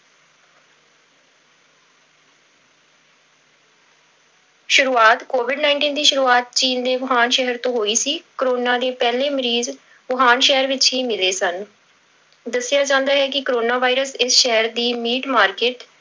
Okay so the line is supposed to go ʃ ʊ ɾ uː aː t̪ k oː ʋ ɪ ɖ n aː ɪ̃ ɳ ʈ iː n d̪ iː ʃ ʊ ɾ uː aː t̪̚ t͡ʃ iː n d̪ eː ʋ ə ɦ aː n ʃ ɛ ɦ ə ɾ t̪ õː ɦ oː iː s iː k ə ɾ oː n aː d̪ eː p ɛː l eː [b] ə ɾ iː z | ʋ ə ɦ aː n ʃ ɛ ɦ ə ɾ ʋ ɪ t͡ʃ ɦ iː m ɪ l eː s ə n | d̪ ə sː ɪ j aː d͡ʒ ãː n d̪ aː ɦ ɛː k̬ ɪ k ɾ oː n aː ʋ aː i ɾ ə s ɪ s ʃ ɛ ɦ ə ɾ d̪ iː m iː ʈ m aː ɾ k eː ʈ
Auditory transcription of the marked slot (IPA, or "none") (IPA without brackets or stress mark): m